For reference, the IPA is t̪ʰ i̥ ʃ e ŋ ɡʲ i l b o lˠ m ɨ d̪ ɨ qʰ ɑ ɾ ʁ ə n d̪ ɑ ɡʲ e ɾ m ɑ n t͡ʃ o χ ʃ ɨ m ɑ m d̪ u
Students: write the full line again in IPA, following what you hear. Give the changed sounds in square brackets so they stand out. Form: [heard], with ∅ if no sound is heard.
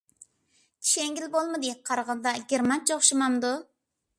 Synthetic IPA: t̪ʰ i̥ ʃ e ŋ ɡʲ i l b o lˠ m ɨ d̪ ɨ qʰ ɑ ɾ ʁ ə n d̪ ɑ ɡʲ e ɾ m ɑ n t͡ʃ o χ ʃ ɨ m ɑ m d̪ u